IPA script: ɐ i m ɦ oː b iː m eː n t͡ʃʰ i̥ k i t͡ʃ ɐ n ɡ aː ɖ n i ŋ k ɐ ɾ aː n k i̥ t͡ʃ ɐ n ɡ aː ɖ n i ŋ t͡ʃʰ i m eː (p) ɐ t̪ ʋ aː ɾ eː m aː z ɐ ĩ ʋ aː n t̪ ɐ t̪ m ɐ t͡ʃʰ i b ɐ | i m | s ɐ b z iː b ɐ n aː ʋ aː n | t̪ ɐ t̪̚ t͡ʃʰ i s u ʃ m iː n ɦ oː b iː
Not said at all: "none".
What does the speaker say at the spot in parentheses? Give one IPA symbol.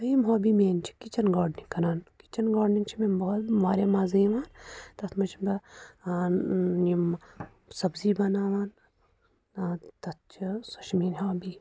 b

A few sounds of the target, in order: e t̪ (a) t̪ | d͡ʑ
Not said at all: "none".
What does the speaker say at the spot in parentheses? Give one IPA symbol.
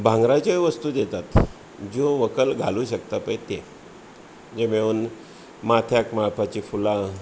a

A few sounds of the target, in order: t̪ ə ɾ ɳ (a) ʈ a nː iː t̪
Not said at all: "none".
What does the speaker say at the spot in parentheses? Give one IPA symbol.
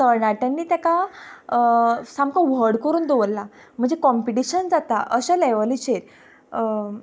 a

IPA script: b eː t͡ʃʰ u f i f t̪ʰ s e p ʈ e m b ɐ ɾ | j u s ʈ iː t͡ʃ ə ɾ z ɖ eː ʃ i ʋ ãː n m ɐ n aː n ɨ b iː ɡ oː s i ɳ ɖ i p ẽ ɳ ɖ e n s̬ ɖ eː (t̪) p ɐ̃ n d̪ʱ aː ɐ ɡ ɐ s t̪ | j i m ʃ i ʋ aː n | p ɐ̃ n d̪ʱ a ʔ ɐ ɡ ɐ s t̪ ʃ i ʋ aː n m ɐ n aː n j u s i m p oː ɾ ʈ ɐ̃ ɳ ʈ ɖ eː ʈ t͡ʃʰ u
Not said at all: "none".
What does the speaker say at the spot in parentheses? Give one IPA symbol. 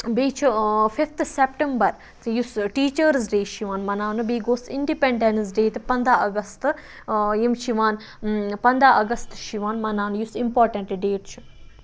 t̪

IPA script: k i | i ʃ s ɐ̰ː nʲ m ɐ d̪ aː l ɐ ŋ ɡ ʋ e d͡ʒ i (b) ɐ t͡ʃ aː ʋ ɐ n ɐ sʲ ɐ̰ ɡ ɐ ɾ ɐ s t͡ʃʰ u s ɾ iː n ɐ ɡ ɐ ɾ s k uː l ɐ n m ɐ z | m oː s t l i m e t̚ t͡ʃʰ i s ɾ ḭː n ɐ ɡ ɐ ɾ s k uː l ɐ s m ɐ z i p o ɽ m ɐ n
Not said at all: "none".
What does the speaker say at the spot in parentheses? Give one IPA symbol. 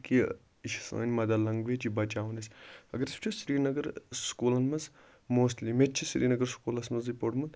b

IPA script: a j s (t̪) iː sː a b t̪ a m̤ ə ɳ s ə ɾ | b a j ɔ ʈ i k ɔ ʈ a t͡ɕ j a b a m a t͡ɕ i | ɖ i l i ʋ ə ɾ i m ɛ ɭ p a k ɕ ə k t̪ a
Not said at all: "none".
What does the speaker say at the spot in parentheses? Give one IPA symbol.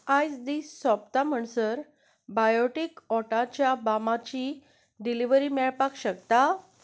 d̪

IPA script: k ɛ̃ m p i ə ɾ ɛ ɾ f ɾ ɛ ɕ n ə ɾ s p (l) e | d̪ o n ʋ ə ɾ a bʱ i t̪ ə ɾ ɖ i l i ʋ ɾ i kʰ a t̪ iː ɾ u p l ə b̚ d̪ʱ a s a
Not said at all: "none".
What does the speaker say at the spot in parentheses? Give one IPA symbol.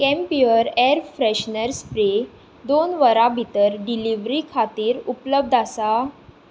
ɾ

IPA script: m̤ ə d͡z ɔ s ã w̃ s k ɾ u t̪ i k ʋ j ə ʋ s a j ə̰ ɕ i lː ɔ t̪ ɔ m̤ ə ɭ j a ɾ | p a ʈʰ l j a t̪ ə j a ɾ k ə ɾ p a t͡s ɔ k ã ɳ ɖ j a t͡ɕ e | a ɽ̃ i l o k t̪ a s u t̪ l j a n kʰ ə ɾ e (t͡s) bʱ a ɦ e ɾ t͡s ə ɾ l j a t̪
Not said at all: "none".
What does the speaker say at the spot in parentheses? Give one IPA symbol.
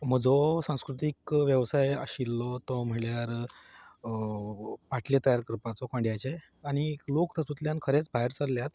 t͡s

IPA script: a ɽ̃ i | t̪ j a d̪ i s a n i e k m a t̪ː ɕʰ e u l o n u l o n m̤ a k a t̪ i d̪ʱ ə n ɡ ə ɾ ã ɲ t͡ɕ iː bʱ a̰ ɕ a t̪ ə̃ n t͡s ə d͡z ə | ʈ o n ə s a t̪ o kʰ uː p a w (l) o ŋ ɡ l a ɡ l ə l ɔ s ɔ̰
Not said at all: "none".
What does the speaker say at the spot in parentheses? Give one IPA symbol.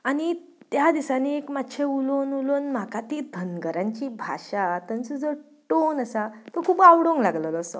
ɽ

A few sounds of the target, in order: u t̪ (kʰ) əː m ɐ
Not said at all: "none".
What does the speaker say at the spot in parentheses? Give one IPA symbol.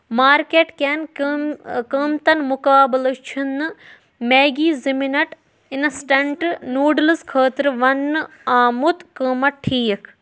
k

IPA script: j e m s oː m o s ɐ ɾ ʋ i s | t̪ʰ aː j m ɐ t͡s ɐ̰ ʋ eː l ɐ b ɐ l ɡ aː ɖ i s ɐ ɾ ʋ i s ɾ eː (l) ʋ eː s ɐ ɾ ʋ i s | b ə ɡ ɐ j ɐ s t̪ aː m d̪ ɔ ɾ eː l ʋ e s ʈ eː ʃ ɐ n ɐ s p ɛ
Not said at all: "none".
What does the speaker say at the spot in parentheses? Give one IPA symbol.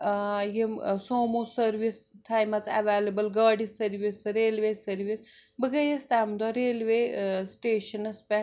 l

